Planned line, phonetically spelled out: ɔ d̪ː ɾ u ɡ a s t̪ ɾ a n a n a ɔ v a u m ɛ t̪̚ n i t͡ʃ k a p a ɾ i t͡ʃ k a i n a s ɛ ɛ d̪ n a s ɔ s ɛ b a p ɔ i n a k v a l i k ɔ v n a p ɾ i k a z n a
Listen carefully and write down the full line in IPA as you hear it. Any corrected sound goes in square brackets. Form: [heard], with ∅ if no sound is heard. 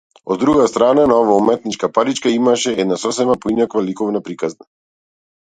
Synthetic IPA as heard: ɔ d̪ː ɾ u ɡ a s t̪ ɾ a n a n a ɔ v a u m ɛ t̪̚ n i t͡ʃ k a p a ɾ i t͡ʃ k a i [m] a [ʃ] ɛ ɛ d̪ n a s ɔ s ɛ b a p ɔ i n a k v a l i k ɔ v n a p ɾ i k a z n a